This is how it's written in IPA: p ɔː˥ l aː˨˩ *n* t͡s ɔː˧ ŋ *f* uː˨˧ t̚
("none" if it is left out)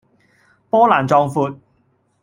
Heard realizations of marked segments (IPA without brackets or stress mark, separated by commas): n, f